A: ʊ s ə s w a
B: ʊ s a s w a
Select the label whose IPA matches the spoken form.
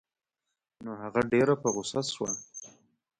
B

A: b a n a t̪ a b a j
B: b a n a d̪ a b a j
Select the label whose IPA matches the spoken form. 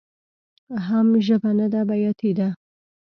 B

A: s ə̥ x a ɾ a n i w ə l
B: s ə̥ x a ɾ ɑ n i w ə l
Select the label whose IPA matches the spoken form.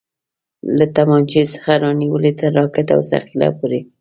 B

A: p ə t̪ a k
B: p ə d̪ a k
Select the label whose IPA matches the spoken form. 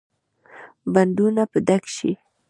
B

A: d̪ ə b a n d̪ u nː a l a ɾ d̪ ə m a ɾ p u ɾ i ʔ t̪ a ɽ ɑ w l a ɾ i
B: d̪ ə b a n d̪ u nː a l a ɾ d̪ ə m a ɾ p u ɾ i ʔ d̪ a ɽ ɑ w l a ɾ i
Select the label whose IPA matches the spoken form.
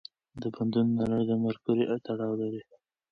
A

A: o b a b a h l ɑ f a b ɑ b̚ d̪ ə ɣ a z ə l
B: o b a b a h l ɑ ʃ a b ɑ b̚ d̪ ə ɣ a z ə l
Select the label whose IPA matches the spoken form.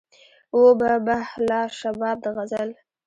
B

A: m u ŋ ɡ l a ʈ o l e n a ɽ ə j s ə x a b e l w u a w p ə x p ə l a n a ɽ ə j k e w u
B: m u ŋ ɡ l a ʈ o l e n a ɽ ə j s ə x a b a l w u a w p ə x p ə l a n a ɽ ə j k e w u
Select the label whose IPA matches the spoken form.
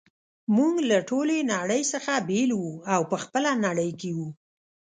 A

